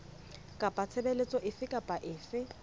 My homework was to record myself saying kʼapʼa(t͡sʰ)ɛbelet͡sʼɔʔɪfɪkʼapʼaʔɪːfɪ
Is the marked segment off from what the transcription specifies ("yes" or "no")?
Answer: no